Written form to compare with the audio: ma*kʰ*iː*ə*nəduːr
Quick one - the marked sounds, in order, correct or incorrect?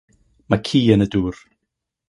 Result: correct, correct

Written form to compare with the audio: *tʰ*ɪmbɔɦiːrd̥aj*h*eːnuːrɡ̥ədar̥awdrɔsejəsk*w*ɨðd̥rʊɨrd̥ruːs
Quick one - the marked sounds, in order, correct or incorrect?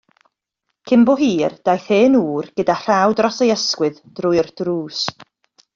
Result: incorrect, incorrect, correct

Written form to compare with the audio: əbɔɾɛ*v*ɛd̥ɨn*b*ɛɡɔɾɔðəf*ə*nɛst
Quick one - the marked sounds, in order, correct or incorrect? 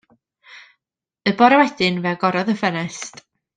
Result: incorrect, incorrect, correct

